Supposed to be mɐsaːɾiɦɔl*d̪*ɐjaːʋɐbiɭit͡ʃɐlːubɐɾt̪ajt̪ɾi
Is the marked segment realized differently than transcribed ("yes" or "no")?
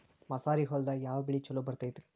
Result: no